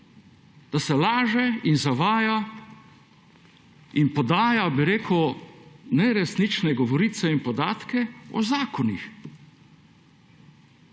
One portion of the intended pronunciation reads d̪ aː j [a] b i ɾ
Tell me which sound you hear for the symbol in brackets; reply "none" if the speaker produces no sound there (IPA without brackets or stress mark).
a